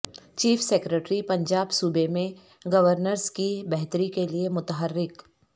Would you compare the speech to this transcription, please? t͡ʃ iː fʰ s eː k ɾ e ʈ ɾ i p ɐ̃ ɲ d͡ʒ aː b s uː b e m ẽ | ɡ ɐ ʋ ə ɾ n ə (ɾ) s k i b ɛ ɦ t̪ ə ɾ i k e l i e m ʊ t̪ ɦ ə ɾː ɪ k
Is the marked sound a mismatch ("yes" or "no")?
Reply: no